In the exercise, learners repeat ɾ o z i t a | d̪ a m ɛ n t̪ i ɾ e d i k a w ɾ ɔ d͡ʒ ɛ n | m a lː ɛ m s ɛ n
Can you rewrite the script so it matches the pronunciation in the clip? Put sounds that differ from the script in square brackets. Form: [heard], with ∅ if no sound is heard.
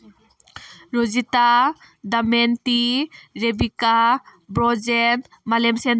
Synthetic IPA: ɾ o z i t a | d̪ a m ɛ n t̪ i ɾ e [b] i k a [b] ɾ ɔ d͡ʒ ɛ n | m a [l] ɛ m s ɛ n